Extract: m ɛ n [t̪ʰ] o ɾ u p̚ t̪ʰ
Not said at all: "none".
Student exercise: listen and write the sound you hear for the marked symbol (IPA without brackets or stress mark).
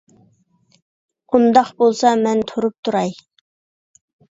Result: t̪ʰ